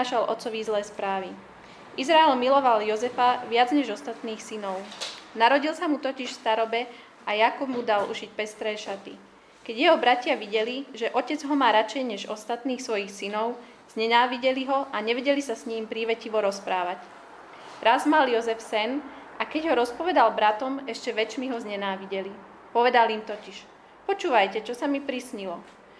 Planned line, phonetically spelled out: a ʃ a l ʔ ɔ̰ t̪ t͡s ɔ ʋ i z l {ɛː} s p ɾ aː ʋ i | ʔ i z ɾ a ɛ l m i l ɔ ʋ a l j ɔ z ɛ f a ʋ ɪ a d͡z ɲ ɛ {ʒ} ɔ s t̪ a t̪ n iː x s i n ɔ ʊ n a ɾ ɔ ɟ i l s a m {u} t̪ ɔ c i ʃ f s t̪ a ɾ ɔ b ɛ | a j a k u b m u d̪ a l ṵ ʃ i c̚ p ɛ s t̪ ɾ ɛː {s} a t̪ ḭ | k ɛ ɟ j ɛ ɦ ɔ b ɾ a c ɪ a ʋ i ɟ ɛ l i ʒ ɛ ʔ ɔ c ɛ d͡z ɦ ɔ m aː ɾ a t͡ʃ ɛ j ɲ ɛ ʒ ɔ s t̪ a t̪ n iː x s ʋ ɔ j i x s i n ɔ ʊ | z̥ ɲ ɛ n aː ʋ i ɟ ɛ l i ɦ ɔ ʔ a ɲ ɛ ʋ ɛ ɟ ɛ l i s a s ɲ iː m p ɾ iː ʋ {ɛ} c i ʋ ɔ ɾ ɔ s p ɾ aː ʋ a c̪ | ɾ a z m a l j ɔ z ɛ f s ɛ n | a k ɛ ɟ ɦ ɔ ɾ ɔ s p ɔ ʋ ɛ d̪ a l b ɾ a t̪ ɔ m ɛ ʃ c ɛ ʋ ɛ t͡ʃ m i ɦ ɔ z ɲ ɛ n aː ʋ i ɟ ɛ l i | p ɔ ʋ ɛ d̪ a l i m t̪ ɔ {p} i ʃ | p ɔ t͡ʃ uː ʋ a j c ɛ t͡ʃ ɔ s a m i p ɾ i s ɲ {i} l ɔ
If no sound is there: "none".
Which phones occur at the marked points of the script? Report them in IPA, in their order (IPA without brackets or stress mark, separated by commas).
ɛː, ʒ, u, ʃ, ɛ, c, i